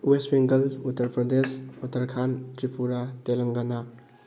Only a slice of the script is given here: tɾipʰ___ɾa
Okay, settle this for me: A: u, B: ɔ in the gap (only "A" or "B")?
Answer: A